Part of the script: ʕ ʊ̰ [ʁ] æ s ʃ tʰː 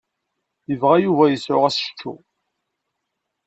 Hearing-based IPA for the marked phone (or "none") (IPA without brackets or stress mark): ʁ